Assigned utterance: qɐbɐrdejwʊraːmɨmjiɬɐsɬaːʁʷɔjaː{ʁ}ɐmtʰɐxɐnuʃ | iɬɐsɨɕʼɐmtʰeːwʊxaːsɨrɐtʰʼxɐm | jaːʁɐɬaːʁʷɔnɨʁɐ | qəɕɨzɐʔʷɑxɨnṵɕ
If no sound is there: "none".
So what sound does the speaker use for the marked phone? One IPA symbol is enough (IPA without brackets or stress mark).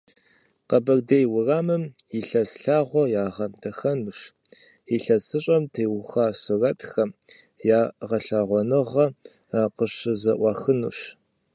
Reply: ʁ